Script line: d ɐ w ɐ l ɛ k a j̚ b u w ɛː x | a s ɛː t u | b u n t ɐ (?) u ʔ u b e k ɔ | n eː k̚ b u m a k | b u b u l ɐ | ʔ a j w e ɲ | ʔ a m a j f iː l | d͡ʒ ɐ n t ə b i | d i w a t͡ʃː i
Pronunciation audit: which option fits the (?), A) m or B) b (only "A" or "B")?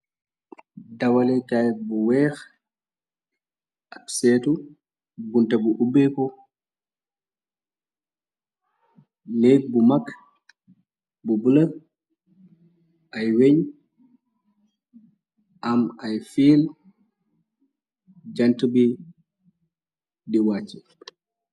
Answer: B